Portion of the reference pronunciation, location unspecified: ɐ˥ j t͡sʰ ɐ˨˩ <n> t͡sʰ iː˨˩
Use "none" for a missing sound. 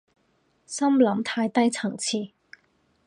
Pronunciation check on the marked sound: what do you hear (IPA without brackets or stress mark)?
ŋ